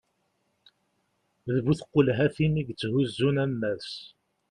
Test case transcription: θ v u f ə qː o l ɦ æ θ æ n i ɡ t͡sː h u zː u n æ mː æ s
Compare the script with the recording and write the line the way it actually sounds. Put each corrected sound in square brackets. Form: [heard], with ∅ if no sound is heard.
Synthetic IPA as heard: [ð] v u [θ] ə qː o l ɦ æ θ [i] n i ɡ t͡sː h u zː u n æ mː æ s